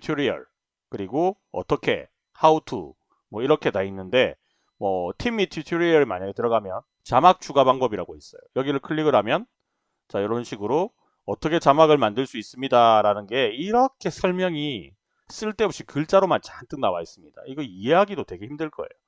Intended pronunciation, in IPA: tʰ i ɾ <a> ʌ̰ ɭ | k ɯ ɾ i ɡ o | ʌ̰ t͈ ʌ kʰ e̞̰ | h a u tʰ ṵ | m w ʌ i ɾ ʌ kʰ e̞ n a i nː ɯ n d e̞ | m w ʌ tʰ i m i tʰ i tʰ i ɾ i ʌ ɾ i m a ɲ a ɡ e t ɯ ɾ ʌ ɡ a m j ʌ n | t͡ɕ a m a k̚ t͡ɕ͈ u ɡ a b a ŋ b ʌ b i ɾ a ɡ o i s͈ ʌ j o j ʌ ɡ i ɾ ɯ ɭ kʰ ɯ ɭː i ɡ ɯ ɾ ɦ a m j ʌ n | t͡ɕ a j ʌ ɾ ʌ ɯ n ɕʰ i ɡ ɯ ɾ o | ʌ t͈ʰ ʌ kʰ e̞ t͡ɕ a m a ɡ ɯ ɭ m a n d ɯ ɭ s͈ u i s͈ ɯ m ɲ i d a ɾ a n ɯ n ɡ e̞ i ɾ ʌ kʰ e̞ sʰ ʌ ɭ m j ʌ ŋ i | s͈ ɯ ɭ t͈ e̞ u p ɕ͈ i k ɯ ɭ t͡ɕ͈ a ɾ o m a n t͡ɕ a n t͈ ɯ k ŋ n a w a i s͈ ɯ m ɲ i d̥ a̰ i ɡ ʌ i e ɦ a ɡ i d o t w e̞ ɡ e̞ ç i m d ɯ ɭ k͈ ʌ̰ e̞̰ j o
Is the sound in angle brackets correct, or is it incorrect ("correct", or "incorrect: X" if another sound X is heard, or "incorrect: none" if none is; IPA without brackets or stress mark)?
incorrect: i